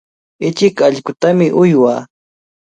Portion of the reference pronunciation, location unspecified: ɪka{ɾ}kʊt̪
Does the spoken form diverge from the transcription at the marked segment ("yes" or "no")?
yes